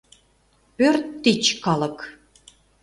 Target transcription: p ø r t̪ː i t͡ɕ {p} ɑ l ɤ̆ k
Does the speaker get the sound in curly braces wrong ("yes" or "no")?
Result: yes